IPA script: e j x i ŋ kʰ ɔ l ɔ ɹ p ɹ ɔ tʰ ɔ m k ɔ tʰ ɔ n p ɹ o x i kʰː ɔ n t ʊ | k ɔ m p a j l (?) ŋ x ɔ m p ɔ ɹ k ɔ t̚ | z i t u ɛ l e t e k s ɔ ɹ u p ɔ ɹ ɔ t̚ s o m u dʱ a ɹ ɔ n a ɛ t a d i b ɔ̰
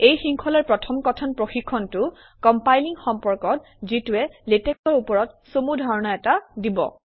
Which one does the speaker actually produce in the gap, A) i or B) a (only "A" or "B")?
A